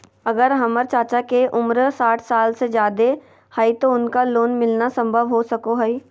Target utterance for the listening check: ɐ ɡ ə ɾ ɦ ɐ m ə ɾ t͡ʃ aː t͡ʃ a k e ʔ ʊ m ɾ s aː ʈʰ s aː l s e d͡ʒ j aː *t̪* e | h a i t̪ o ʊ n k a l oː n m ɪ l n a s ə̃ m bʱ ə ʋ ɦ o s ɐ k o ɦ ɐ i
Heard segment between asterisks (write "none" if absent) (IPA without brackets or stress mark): d̪